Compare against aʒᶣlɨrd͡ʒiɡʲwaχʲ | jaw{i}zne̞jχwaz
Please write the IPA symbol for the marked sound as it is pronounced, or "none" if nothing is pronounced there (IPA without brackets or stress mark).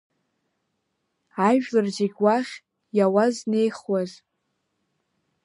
a